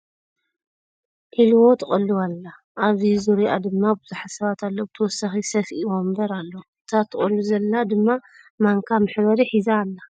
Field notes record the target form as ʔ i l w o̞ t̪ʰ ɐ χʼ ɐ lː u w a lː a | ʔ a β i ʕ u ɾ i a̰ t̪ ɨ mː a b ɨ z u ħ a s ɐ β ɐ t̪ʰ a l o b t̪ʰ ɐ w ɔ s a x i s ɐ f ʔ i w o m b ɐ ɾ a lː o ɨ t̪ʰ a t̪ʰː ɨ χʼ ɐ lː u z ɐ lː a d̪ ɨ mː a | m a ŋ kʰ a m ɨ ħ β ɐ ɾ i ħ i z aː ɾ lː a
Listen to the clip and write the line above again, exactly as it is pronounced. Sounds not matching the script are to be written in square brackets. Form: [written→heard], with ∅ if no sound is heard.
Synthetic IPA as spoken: ʔ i l w o̞ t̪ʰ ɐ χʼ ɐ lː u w a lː a | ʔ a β i [ʕ→z] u ɾ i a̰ [t̪→d̪] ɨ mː a b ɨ z u ħ a s ɐ β [ɐ→a] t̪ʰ a [l→lː] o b t̪ʰ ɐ w ɔ s a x i s ɐ f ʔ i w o m b ɐ ɾ a lː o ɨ t̪ʰ a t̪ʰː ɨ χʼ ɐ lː u z ɐ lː a d̪ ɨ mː a | m a ŋ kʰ a m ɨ ħ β ɐ ɾ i ħ i z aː [ɾ→∅] lː a